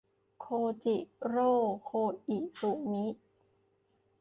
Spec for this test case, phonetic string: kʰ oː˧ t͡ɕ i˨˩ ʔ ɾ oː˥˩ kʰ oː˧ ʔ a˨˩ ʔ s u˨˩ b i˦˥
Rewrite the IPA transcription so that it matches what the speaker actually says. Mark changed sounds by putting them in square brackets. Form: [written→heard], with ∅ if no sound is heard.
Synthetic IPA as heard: kʰ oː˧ t͡ɕ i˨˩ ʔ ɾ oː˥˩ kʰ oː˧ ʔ [a˨˩→i˨˩] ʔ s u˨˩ [b→m] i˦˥